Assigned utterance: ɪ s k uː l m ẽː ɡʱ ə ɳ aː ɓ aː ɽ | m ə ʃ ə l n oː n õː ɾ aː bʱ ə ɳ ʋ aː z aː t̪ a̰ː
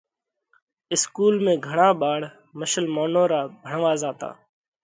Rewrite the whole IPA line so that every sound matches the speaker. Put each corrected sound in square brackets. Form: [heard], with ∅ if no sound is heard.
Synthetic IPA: ɪ s k uː l m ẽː ɡʱ ə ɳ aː ɓ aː ɽ | m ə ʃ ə l [m] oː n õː ɾ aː bʱ ə ɳ ʋ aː z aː t̪ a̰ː

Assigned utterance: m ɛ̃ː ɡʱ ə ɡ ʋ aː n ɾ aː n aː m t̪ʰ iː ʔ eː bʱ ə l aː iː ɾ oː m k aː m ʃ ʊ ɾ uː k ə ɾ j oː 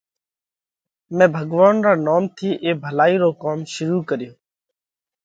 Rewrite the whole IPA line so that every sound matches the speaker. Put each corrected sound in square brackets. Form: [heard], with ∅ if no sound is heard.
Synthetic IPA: m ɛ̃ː [bʱ] ə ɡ ʋ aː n ɾ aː n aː m t̪ʰ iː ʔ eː bʱ ə l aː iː ɾ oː [∅] k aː m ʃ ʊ ɾ uː k ə ɾ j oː

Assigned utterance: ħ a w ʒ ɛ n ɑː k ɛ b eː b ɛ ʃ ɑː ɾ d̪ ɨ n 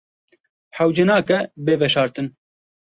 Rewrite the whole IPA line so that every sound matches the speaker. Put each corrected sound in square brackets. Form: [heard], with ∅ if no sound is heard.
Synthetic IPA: ħ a w [d͡ʒ] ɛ n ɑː k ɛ b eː [v] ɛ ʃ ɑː ɾ [t̪] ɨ n

